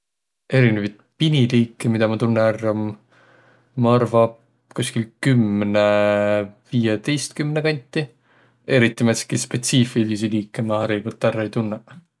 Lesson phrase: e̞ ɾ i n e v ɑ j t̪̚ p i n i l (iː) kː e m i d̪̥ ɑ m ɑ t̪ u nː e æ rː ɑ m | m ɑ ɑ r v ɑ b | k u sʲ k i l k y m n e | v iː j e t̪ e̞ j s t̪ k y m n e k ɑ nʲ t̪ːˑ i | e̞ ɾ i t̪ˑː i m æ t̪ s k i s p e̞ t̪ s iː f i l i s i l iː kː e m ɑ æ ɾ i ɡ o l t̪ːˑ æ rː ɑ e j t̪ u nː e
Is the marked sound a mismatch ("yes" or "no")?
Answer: no